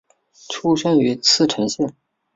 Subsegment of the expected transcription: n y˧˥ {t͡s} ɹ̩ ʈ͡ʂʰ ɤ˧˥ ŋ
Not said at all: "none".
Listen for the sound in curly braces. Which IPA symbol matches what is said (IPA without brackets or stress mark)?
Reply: t͡sʰ